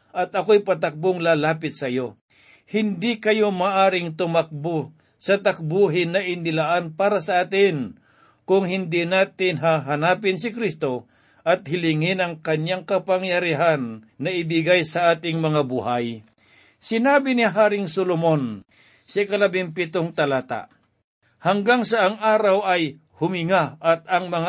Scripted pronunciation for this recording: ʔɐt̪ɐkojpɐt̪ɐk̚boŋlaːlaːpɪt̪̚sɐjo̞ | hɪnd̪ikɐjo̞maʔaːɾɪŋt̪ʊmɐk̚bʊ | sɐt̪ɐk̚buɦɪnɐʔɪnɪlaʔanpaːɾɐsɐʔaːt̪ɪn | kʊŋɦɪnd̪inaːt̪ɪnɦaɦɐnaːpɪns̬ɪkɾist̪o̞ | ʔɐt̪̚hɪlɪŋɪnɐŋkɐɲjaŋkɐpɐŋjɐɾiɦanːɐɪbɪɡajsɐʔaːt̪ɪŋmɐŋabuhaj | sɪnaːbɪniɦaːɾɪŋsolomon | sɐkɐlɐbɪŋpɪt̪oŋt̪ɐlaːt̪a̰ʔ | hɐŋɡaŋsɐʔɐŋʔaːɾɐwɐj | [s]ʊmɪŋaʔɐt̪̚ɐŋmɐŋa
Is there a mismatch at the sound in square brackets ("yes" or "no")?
yes